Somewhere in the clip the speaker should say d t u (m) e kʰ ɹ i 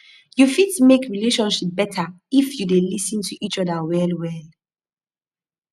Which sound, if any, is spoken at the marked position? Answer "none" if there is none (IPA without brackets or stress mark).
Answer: m